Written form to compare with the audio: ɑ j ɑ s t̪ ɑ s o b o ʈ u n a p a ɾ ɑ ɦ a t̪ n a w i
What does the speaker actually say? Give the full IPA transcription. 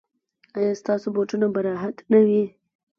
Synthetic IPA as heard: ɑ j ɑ s t̪ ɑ s o b o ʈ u n a b a ɾ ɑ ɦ a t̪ n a w i